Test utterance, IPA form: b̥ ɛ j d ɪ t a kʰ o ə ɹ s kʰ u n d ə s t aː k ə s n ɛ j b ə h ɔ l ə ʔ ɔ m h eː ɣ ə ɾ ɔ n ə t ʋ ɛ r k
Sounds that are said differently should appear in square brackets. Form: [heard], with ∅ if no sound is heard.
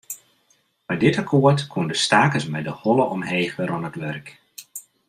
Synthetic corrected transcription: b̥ ɛ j d ɪ t a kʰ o ə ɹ [t] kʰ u n d ə s t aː k ə s [m] ɛ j [d] ə h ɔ l ə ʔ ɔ m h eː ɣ ə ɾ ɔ n ə t ʋ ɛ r k